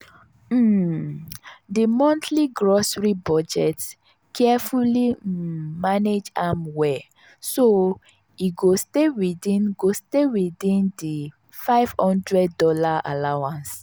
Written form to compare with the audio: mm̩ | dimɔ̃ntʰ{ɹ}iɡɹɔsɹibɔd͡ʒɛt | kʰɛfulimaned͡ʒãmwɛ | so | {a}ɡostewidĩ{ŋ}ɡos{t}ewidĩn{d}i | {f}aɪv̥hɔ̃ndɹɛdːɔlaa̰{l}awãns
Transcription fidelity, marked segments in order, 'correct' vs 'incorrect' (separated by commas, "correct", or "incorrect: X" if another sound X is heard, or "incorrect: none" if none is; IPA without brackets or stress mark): incorrect: l, incorrect: i, incorrect: n, correct, correct, correct, correct